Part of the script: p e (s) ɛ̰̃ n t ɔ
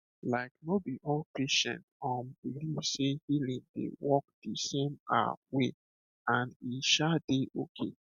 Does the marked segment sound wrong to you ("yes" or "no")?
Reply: yes